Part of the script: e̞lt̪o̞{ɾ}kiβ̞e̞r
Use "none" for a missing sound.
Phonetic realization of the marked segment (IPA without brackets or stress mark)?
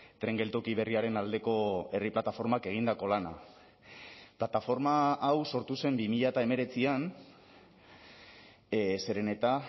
none